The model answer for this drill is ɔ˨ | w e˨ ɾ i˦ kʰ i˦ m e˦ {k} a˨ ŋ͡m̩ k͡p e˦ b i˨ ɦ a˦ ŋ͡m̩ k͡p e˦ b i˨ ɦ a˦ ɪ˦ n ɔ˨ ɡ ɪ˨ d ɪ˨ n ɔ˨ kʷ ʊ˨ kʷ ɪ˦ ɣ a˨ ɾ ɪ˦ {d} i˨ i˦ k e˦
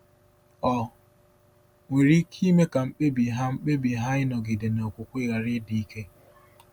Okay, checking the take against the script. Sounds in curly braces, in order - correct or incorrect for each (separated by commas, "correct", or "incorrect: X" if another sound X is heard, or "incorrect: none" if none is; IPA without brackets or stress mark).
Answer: correct, correct